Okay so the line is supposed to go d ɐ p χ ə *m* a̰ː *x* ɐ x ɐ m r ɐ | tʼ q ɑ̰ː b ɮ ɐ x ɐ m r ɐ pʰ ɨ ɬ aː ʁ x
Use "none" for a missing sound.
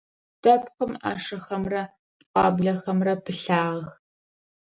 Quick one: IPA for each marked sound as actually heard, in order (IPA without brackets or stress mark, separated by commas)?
m, ʂ